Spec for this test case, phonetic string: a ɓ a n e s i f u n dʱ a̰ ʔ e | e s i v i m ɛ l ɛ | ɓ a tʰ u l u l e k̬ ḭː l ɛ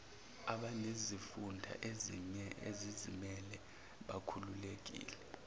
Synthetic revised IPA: a ɓ a n e z i f u n dʱ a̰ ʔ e | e z i z i m ɛ l ɛ | ɓ a kʰ u l u l e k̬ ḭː l ɛ